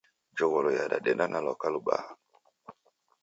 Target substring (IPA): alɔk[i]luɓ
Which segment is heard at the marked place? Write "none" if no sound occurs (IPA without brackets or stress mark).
a